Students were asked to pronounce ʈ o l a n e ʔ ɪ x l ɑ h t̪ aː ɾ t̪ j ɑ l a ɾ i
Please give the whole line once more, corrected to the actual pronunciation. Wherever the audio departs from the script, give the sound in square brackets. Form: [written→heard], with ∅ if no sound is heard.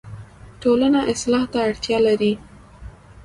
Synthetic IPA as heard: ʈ o l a n [e→a] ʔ ɪ [x→s] l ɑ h t̪ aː [ɾ→ɽ] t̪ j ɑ l a ɾ i

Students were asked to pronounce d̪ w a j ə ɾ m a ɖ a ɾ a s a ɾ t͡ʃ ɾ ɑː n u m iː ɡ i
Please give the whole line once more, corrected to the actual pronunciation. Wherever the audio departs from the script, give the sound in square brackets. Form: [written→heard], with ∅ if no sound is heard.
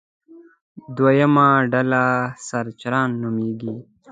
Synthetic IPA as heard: d̪ w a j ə [ɾ→∅] m a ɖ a [ɾ→l] a s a ɾ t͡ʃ ɾ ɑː [n→nː] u m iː ɡ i

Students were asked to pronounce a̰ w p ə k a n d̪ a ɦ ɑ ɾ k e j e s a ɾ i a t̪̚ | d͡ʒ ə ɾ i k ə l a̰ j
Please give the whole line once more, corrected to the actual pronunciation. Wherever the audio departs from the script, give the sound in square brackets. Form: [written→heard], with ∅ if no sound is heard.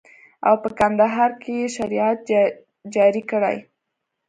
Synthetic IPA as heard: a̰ w p ə k a n d̪ a ɦ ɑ ɾ k e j e [s→ʃ] a ɾ i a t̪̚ | d͡ʒ [ə→ɑ] ɾ i k ə [l→ɽ] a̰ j

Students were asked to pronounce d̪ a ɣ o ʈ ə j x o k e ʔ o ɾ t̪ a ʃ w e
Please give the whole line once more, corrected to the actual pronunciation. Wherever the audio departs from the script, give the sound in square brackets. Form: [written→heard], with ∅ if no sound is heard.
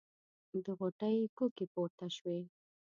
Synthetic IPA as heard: d̪ [a→ə] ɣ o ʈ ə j [x→k] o k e [ʔ→p] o ɾ t̪ a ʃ w e

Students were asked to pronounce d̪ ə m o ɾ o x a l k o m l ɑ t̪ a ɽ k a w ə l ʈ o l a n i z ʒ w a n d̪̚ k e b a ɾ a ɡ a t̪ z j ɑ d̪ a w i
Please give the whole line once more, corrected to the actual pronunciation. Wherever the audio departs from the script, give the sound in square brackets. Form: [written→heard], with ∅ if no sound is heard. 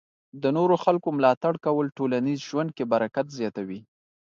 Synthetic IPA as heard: d̪ ə [m→n] o ɾ o x a l k o m l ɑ t̪ a ɽ k a w ə l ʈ o l a n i z ʒ w a n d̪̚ k e b a ɾ a [ɡ→k] a t̪ z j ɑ [d̪→t̪] a w i

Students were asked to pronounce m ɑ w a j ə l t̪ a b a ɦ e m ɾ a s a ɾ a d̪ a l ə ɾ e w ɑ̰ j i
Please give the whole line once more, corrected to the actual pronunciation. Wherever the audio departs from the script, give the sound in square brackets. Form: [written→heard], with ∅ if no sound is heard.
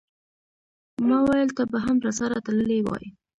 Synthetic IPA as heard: m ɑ w a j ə l t̪ a b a ɦ [e→a] m ɾ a s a ɾ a [d̪→t̪] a l ə [ɾ→l] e w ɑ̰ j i

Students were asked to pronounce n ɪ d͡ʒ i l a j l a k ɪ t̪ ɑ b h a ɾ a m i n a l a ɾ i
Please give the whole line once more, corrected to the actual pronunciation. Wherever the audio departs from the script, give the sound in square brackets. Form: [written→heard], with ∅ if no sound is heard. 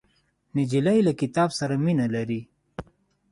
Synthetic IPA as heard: n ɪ d͡ʒ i l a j l a k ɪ t̪ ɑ b [h→s] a ɾ a m i n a l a ɾ i

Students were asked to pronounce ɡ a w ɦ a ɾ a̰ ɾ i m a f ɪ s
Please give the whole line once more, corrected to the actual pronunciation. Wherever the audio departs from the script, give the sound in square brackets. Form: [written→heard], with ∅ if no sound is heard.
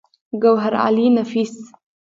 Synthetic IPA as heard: ɡ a w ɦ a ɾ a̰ [ɾ→l] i [m→n] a f [ɪ→i] s

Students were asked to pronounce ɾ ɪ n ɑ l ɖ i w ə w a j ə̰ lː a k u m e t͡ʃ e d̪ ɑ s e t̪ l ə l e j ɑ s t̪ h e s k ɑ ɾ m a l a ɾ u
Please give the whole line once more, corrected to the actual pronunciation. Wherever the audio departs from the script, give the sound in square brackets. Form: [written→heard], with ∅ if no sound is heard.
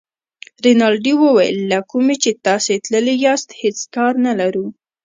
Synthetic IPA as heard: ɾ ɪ n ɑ l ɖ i w ə w a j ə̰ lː a k u m e t͡ʃ e [d̪→t̪] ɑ s e t̪ l ə l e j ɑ s t̪ h e [s→t͡s] k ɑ ɾ [m→n] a l a ɾ u

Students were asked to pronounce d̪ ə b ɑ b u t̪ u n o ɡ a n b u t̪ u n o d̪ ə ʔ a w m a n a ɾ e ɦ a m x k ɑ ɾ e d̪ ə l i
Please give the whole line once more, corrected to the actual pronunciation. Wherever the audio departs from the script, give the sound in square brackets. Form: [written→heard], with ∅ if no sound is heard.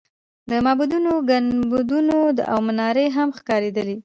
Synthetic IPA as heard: d̪ ə [b→m] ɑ b u [t̪→d̪] u n o ɡ a n b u [t̪→d̪] u n o d̪ ə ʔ a w m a n [a→ɑ] ɾ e ɦ a m x k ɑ ɾ e d̪ ə l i

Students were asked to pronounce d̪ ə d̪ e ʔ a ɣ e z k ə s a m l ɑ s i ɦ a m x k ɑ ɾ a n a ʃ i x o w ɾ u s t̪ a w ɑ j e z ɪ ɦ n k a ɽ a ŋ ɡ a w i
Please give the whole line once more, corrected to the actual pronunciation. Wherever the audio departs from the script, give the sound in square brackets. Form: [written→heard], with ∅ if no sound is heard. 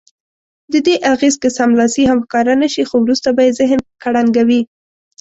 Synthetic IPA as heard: d̪ ə d̪ e ʔ a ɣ e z k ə s a m l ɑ s i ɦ a m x k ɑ ɾ a n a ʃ i x o w ɾ u s t̪ a [w→b] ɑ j e z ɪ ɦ n k a ɽ a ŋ ɡ a w i

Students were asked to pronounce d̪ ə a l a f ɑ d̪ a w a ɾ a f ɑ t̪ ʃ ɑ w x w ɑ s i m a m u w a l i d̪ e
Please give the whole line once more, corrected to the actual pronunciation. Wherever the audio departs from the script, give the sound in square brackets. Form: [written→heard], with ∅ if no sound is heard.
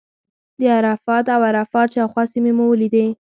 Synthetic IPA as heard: d̪ ə a [l→ɾ] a f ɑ [d̪→t̪] a w a ɾ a f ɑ t̪ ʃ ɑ w x w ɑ s i m [a→e] m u w [a→ə] l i d̪ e

